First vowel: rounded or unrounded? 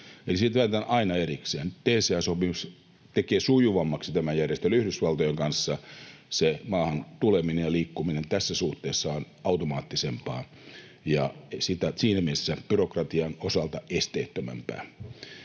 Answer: unrounded